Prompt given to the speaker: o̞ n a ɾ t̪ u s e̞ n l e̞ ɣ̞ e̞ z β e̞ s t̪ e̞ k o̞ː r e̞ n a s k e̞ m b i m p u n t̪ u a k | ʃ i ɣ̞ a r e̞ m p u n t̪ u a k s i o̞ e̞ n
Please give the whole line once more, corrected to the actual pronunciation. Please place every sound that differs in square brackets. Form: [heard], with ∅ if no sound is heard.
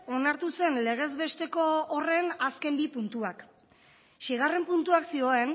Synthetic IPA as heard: o̞ n a ɾ t̪ u s e̞ n l e̞ ɣ̞ e̞ z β e̞ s t̪ e̞ k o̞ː r e̞ n a s k e̞ m b i [∅] p u n t̪ u a k | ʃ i ɣ̞ a r e̞ m p u n t̪ u a k s i o̞ e̞ n